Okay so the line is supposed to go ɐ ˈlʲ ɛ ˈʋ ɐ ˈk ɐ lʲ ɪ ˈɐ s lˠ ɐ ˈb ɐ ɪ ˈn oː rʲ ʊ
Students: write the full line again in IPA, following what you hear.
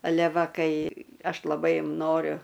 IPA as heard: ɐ ˈlʲ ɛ ˈʋ ɐ ˈk ɐ ɪ ˈɐ ʃ lˠ ɐ ˈb ɐ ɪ ˈn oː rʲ ʊ